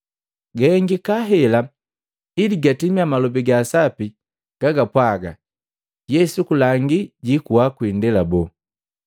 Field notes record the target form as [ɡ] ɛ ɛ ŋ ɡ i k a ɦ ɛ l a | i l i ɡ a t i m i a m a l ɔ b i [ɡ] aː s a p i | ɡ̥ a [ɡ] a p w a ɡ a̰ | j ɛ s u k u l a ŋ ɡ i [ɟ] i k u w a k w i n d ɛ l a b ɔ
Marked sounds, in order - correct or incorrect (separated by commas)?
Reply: correct, correct, correct, correct